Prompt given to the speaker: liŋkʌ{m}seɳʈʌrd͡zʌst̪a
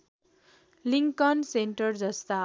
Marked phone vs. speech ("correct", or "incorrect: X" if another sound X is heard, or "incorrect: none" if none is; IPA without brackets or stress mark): incorrect: n